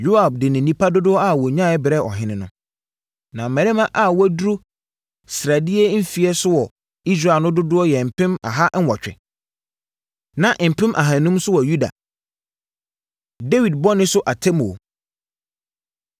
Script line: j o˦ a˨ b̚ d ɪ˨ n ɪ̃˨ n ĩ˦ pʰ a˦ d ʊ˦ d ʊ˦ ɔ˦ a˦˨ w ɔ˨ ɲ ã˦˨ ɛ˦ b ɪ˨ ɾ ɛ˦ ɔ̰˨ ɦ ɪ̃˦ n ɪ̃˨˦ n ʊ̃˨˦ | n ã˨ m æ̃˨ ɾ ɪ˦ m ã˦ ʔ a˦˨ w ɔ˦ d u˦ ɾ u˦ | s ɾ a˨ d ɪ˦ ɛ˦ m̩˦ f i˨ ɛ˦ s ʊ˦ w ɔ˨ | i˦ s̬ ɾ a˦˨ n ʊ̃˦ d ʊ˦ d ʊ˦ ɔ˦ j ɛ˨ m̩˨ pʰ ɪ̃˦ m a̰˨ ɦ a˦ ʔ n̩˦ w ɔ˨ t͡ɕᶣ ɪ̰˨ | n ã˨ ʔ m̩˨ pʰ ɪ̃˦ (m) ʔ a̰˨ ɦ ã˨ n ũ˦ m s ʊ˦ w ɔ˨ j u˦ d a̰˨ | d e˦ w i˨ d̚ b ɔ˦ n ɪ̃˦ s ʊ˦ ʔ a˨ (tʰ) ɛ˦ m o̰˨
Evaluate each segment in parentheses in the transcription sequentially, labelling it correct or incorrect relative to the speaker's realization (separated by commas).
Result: correct, correct